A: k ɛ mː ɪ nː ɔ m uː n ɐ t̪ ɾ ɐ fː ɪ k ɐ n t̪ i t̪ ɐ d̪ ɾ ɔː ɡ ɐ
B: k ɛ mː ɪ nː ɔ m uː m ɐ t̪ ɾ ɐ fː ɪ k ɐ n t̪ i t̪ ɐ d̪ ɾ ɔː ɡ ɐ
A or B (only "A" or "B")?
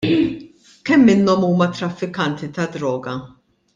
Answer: B